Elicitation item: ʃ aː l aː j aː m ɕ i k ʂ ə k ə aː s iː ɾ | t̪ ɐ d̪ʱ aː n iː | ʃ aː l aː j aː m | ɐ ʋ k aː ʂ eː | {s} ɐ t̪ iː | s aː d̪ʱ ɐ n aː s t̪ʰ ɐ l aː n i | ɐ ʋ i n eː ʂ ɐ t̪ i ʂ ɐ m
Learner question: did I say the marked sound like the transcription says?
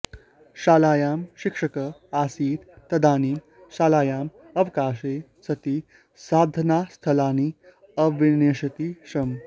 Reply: yes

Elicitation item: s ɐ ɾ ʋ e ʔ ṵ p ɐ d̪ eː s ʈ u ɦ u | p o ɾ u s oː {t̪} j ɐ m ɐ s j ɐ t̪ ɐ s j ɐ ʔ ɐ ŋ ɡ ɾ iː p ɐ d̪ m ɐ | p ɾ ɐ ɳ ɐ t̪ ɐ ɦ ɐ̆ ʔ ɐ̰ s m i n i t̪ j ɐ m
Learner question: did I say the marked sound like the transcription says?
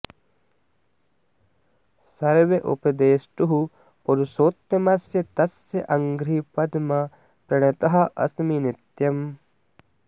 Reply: yes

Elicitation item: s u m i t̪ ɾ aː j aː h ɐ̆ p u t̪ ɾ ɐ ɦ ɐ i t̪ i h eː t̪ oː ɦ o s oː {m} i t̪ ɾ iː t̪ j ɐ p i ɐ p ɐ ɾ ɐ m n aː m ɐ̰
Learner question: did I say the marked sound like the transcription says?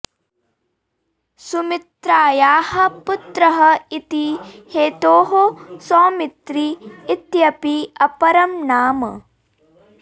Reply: yes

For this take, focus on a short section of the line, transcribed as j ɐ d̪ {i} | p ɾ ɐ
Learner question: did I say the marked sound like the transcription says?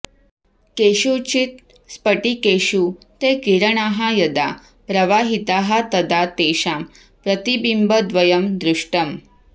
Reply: no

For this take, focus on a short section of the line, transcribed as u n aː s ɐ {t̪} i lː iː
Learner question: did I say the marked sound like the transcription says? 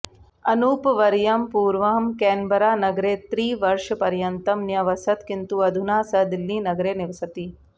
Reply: no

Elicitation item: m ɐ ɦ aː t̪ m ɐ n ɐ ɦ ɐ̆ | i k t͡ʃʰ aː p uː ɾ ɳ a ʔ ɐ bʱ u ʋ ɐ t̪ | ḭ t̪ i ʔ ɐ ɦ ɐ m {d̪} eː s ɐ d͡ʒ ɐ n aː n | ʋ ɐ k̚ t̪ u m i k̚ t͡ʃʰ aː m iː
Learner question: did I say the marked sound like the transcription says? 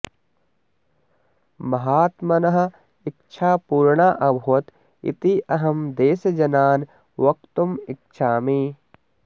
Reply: yes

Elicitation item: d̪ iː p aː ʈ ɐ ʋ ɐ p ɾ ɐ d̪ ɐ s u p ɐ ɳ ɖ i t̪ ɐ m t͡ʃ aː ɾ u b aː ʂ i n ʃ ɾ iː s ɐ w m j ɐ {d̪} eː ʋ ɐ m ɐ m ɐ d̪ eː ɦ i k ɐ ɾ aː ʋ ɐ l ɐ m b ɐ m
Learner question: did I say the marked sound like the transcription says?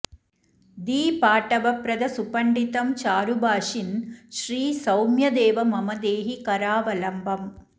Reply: yes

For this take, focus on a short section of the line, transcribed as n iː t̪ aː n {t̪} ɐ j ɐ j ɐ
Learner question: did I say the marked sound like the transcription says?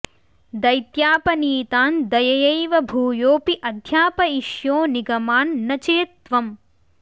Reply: no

